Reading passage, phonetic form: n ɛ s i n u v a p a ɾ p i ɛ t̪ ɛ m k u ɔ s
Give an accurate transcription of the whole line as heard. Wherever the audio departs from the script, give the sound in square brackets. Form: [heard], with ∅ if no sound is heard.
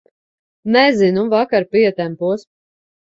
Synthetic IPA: n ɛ [z] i n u v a [k] a ɾ p i ɛ t̪ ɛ m [p] u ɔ s